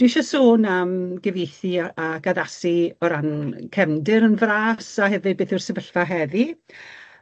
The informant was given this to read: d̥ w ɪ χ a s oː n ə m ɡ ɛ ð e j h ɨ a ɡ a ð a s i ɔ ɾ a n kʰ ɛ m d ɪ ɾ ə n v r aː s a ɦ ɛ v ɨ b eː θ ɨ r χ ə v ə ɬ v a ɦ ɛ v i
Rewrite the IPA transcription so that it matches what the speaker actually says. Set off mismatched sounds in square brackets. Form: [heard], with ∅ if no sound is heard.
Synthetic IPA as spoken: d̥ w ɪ [ʃ] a s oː n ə m ɡ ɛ [v] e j [θ] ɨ a ɡ a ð a s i ɔ ɾ a n kʰ ɛ m d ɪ ɾ ə n v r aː s a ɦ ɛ v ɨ b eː θ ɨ r [s] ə v ə ɬ v a ɦ ɛ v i